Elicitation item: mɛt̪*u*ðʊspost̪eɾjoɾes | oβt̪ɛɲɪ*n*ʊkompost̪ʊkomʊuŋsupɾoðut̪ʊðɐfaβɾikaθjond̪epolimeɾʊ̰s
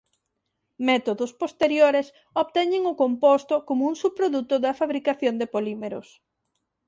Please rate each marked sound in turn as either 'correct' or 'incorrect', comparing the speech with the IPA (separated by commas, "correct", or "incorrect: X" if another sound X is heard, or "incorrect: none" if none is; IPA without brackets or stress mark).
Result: incorrect: o, incorrect: ŋ